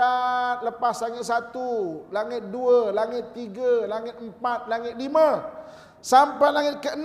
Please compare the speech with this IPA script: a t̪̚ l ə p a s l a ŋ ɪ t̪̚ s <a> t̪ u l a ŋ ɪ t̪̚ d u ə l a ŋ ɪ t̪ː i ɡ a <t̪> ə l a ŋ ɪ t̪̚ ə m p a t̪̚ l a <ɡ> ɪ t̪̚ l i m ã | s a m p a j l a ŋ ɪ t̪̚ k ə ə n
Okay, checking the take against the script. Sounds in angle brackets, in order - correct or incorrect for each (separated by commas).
correct, incorrect, incorrect